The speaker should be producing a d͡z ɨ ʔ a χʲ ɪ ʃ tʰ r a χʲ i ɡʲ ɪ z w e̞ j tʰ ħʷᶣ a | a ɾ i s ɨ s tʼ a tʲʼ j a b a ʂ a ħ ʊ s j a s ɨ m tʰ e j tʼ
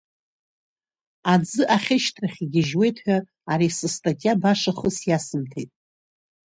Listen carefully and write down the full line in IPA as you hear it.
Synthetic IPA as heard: a d͡z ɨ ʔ a χʲ ɪ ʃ tʰ r a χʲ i ɡʲ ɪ ʒ w e̞ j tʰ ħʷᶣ a | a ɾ i s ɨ s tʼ a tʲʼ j a b a ʂ a χ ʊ s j a s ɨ m tʰ e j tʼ